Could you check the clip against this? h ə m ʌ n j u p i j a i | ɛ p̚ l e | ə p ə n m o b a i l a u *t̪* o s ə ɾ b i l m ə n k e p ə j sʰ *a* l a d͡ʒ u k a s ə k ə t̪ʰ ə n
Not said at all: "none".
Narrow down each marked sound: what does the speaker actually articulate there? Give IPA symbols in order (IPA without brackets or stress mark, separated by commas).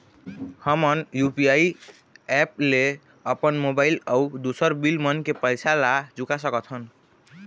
d̪, a